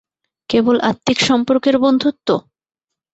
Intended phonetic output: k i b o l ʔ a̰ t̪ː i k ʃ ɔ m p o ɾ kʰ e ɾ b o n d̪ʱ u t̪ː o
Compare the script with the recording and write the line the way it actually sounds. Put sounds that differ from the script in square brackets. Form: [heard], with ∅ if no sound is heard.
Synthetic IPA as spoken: k [e] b o l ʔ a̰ t̪ː i k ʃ ɔ m p o ɾ [k] e ɾ b o n d̪ʱ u t̪ː o